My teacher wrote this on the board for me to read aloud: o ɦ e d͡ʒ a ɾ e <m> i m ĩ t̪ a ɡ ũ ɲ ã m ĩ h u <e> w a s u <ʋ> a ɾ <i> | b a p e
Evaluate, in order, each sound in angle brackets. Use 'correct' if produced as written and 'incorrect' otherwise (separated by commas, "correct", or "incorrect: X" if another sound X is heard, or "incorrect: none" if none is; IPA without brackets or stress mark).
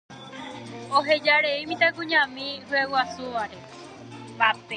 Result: incorrect: none, correct, correct, incorrect: e